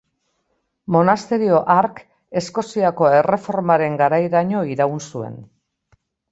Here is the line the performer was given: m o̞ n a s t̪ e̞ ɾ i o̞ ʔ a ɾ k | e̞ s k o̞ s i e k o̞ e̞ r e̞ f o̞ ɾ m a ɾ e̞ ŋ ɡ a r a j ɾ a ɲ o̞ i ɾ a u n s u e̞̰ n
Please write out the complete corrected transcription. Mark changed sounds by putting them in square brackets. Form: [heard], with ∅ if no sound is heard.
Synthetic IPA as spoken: m o̞ n a s t̪ e̞ ɾ i o̞ ʔ a ɾ k | e̞ s k o̞ s i [a] k o̞ e̞ r e̞ f o̞ ɾ m a ɾ e̞ ŋ ɡ a [ɾ] a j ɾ a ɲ o̞ i ɾ a u n s u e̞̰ n